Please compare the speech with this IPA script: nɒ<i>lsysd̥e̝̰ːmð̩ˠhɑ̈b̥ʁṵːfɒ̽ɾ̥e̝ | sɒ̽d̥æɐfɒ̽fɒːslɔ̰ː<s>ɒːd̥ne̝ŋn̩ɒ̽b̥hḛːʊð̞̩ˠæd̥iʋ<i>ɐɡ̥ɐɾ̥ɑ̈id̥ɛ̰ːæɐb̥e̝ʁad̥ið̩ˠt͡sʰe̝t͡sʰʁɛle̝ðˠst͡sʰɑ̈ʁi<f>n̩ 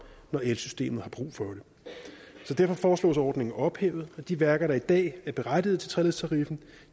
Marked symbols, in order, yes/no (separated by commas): no, yes, no, yes